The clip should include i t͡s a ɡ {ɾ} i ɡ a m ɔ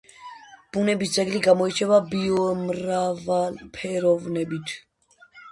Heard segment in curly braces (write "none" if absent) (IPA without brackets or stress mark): l